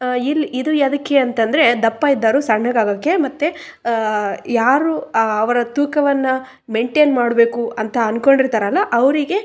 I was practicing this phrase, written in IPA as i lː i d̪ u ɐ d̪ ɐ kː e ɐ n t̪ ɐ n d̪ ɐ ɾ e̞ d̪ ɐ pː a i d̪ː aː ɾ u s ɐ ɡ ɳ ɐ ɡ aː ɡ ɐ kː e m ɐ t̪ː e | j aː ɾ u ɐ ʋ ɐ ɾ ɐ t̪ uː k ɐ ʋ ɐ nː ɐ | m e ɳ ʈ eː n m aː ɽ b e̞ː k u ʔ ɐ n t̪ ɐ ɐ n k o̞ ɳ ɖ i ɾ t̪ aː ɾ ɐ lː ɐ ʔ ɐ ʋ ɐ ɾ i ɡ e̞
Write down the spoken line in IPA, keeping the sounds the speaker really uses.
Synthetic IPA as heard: i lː i d̪ u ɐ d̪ ɐ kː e ɐ n t̪ ɐ n d̪ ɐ ɾ e̞ d̪ ɐ pː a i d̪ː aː ɾ u s ɐ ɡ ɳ ɐ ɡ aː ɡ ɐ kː e m ɐ t̪ː e | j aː ɾ u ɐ ʋ ɐ ɾ ɐ t̪ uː k ɐ ʋ ɐ nː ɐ | m e ɳ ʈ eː n m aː ɽ b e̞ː k u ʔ ɐ n t̪ ɐ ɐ n k o̞ ɳ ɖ i ɾ t̪ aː ɾ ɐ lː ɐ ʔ ɐ ʋ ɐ ɾ i ɡ e̞